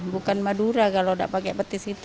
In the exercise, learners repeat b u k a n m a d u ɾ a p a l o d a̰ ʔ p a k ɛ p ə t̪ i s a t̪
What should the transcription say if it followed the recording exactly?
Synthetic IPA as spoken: b u k a n m a d u ɾ a k a l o d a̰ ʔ p a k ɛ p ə t̪ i s i t̪